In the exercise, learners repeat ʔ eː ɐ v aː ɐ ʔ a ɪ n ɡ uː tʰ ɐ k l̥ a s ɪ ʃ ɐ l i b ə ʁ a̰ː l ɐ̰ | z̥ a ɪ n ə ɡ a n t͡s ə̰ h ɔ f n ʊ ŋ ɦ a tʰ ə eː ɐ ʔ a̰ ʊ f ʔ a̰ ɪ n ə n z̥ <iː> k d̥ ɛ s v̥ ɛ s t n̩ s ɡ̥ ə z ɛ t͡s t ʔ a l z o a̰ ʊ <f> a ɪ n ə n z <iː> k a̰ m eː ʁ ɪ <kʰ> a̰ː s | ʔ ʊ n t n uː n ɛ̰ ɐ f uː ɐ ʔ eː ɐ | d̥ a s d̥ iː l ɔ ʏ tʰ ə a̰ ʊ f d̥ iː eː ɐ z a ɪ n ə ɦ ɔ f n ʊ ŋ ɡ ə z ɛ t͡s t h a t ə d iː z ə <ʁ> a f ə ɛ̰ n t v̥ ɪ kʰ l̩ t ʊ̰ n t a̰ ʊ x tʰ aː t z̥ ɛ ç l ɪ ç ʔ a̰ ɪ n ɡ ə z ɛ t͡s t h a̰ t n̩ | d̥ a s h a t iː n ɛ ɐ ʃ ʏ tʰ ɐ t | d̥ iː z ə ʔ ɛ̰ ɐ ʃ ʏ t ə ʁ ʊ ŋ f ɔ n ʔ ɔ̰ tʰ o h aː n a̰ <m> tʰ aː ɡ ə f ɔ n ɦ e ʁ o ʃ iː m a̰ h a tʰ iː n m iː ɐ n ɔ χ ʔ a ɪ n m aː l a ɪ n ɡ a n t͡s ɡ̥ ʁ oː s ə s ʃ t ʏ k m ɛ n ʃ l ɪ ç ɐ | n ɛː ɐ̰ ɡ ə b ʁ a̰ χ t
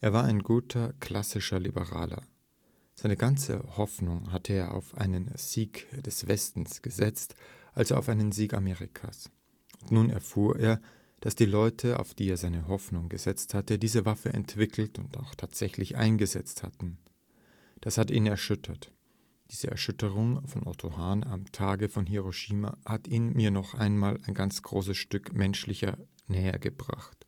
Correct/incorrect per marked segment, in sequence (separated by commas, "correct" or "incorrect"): correct, correct, correct, correct, incorrect, correct